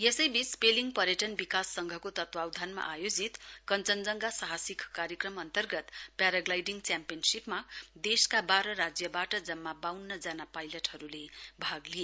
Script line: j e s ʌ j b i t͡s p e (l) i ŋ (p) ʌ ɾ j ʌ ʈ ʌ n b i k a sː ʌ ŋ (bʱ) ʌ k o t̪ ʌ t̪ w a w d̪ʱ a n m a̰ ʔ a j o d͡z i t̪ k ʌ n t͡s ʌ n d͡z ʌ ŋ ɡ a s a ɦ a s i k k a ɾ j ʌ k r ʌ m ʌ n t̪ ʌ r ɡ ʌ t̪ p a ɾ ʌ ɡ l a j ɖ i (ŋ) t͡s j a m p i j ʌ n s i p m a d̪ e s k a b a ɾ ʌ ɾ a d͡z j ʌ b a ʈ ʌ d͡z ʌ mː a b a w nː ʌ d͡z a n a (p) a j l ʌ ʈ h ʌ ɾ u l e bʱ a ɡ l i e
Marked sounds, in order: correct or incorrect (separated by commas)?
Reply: correct, correct, incorrect, correct, correct